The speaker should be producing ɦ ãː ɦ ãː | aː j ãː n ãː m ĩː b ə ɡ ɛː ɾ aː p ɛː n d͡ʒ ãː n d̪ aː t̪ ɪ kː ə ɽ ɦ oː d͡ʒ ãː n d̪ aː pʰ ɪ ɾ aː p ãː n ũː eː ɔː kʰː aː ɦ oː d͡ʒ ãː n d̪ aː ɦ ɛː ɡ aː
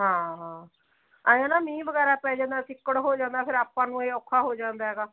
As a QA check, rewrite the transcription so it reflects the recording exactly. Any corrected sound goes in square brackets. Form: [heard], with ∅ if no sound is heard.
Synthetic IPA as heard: ɦ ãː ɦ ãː | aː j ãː n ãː m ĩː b ə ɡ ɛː ɾ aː p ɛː [∅] d͡ʒ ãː n d̪ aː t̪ ɪ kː ə ɽ ɦ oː d͡ʒ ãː n d̪ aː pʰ ɪ ɾ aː p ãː n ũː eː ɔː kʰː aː ɦ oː d͡ʒ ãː n d̪ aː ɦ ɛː ɡ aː